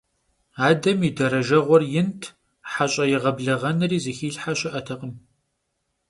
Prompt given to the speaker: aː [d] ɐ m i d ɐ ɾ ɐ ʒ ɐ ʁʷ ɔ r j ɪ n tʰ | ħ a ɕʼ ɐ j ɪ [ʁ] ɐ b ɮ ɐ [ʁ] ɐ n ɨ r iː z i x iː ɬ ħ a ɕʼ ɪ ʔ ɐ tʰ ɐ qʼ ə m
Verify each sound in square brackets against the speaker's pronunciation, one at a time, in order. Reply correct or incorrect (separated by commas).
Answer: correct, correct, correct